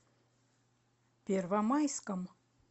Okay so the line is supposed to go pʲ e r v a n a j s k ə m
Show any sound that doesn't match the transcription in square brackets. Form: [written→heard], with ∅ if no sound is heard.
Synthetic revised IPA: pʲ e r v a [n→m] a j s k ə m